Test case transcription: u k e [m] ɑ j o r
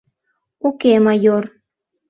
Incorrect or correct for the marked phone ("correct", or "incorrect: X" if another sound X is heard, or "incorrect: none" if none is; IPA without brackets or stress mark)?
correct